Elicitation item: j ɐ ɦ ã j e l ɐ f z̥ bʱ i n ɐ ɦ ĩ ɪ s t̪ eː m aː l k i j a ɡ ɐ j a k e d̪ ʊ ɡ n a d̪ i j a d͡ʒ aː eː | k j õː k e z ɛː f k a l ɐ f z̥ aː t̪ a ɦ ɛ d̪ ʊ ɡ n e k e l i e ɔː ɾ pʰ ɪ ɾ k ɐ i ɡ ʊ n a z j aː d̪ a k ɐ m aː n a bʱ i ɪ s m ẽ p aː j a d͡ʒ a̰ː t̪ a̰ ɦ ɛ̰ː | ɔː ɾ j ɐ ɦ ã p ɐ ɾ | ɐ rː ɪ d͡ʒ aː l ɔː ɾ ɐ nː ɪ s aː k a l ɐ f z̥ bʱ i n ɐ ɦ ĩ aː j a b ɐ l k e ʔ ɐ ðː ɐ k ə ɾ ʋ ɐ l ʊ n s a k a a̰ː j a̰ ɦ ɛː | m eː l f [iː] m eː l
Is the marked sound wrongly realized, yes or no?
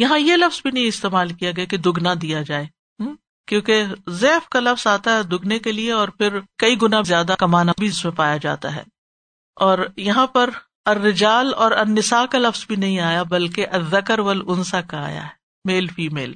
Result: no